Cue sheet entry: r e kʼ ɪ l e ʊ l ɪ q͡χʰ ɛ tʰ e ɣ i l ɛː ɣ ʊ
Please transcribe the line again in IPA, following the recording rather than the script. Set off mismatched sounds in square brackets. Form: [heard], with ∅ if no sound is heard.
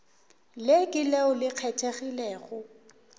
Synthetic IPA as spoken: [l] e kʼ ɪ l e ʊ l ɪ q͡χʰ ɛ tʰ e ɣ i l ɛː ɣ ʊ